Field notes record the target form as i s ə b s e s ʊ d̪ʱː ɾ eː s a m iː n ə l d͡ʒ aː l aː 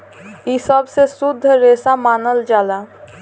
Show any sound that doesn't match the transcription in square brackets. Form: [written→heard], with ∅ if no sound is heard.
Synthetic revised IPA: i s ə b s e s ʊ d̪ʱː ɾ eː s a m [iː→aː] n ə l d͡ʒ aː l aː